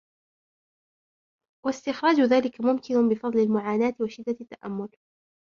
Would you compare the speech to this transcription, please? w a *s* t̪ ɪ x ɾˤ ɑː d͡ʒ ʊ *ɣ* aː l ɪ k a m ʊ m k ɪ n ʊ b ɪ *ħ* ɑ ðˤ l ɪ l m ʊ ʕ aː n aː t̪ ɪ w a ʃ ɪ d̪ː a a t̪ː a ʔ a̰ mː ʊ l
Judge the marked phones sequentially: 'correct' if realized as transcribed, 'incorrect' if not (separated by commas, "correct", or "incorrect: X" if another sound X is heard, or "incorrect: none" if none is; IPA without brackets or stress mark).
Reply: correct, incorrect: ð, incorrect: f